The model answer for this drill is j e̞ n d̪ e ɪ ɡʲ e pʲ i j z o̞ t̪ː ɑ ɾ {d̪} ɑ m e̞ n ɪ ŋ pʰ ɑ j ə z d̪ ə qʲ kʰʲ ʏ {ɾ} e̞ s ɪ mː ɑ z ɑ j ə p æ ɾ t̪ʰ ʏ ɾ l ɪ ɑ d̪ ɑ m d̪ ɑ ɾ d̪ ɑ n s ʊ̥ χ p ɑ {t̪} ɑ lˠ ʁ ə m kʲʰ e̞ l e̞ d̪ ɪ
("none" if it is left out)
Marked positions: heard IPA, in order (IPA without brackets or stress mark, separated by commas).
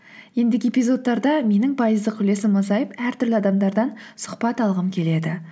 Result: d̪, l, t̪